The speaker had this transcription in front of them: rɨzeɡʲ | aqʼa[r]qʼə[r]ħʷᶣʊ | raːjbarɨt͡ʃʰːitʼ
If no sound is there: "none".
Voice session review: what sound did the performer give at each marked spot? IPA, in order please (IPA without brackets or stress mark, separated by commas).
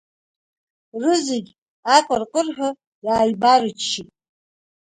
r, r